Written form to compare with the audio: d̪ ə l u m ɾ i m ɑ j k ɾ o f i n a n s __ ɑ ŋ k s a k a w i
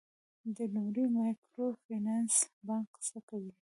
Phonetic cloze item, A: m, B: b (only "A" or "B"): B